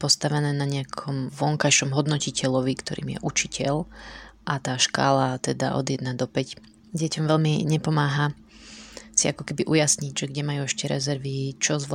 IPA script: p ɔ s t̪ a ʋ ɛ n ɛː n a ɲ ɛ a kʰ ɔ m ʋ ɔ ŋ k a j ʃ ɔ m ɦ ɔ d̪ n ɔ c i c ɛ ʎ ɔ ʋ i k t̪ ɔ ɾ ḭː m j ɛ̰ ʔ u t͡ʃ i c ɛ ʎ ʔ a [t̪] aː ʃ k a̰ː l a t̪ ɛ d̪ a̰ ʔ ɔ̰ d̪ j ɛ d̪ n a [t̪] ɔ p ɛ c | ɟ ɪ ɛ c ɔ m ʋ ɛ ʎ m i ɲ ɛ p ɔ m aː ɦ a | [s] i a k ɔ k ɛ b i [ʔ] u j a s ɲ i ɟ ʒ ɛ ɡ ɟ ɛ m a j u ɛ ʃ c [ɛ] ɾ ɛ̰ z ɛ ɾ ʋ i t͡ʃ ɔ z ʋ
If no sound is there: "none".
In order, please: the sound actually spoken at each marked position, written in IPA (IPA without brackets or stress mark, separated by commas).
t̪, d̪, s, ʔ, ɛ